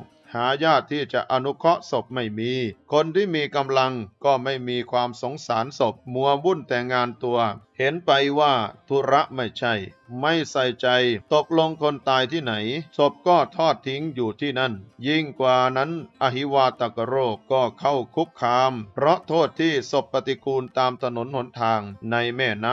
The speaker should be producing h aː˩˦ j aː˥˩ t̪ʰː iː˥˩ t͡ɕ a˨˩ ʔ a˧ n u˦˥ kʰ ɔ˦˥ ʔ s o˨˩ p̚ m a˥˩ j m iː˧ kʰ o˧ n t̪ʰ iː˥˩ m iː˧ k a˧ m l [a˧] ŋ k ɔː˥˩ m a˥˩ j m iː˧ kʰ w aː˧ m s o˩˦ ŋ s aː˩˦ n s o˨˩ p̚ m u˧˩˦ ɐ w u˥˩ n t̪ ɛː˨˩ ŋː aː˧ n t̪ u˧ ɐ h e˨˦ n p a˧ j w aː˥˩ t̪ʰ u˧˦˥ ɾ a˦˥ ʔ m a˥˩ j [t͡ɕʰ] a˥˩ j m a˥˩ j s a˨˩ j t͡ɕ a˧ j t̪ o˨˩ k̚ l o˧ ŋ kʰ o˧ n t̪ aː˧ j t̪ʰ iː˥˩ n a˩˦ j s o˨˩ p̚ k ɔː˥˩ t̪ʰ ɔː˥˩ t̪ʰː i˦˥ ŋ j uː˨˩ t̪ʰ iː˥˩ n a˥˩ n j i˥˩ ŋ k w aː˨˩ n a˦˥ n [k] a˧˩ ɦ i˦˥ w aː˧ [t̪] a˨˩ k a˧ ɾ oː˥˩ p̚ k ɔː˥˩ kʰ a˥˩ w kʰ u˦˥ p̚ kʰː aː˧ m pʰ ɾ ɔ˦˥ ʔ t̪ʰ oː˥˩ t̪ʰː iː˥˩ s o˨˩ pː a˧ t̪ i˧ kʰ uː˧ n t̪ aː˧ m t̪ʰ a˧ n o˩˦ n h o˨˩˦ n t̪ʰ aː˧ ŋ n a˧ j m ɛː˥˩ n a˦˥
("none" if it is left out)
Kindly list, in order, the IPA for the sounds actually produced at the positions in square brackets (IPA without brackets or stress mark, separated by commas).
a˧, t͡ɕʰ, ʔ, t̪